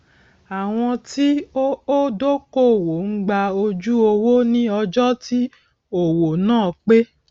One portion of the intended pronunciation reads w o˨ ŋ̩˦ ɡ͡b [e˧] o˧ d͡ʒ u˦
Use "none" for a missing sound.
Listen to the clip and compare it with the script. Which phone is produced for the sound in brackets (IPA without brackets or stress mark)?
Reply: a˧